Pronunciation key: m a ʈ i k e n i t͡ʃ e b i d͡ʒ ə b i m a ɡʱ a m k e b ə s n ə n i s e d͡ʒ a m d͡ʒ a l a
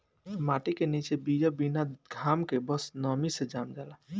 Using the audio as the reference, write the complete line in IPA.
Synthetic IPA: m a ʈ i k e n i t͡ʃ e b i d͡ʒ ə b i n a ɡʱ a m k e b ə s n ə m i s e d͡ʒ a m d͡ʒ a l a